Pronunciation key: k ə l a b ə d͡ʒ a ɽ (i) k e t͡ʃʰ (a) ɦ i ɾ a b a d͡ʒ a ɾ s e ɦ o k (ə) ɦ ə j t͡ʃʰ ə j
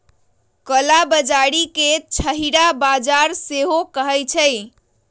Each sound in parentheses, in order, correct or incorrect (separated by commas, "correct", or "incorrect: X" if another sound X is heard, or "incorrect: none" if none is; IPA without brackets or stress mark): correct, incorrect: ə, correct